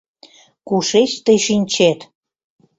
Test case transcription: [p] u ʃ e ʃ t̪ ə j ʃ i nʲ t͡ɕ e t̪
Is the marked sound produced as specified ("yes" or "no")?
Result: no